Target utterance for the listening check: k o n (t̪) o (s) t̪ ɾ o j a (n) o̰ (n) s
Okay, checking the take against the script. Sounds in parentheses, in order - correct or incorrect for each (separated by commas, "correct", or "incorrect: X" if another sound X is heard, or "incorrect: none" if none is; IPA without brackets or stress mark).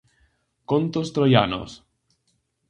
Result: correct, correct, correct, incorrect: none